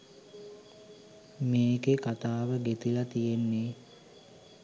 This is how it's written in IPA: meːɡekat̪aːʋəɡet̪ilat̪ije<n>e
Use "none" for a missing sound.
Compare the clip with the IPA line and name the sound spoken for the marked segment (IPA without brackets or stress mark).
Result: nː